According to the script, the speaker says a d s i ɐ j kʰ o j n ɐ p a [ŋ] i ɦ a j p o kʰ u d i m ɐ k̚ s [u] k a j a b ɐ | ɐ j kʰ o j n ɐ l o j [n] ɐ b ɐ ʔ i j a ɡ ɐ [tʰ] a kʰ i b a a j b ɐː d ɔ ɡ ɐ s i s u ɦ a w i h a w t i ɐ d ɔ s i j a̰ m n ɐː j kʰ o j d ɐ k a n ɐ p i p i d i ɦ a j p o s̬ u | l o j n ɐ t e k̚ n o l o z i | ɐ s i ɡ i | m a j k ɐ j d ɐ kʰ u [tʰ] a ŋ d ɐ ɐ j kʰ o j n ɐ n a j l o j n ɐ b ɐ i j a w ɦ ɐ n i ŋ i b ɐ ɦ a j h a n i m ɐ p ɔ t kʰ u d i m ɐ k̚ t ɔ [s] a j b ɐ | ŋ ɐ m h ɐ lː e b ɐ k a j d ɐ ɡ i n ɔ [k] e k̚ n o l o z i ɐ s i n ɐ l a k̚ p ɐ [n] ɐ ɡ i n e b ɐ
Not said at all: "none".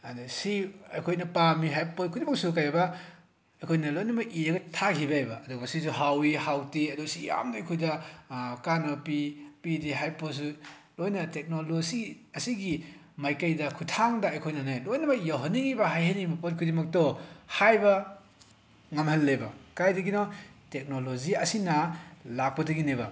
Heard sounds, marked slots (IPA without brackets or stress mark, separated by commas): m, u, n, tʰ, tʰ, h, t, d